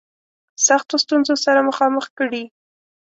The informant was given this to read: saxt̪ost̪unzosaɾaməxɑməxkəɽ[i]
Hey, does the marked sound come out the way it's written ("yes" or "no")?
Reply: yes